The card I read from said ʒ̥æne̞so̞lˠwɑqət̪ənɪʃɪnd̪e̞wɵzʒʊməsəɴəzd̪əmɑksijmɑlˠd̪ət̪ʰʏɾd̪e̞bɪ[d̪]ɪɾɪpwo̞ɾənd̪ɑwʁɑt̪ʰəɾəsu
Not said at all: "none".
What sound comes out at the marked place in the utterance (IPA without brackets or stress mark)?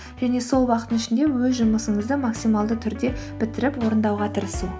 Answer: t̪